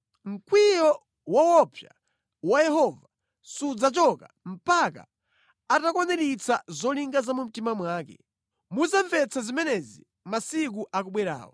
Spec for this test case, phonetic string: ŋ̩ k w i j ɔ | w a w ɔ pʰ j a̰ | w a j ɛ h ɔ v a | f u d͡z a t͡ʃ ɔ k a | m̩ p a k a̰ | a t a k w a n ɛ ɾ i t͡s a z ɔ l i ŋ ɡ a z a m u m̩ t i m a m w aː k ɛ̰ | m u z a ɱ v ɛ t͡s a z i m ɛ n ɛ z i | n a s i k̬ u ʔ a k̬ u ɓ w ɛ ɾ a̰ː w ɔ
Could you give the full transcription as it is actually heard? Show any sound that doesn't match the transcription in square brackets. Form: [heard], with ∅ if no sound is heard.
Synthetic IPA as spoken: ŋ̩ k w i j ɔ | w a w ɔ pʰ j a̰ | w a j ɛ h ɔ v a | [s] u d͡z a t͡ʃ ɔ k a | m̩ p a k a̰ | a t a k w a n ɛ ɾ i t͡s a z ɔ l i ŋ ɡ a z a m u m̩ t i m a m w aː k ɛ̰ | m u z a ɱ v ɛ t͡s a z i m ɛ n ɛ z i | [m] a s i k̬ u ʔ a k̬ u ɓ w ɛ ɾ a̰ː w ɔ